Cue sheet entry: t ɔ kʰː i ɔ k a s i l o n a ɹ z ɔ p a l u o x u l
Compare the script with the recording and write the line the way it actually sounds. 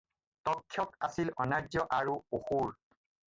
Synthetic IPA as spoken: t ɔ kʰː j ɔ k a s i l ɔ n a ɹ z ɔ ʔ a ɹ u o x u ɹ